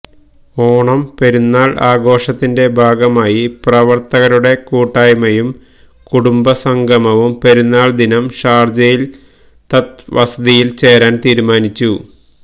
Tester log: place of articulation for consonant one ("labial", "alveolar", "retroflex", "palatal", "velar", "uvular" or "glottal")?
retroflex